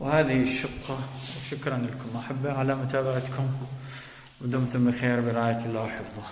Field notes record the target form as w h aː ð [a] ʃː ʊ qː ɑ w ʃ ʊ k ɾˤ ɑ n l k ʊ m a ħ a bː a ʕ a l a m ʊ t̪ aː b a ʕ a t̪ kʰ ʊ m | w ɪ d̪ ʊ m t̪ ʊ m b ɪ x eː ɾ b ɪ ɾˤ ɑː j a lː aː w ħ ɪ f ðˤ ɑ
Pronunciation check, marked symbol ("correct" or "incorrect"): incorrect